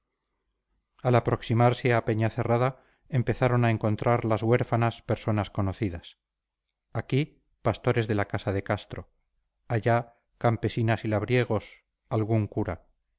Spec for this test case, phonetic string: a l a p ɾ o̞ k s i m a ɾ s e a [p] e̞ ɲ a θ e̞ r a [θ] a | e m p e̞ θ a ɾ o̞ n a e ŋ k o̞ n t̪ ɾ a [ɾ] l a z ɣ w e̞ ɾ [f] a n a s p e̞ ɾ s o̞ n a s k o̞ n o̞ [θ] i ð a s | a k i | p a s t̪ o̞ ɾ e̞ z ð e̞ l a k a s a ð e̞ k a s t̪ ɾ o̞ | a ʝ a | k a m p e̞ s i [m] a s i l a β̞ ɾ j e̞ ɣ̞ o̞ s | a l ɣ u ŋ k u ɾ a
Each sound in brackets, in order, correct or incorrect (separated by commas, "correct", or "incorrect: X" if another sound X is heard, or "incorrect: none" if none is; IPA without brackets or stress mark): correct, incorrect: ð, correct, correct, correct, incorrect: n